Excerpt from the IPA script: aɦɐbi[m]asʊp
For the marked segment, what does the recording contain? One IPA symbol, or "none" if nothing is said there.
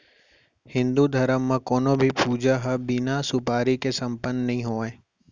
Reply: n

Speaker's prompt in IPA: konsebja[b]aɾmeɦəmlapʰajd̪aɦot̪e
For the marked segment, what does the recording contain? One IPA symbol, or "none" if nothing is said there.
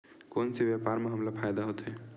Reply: p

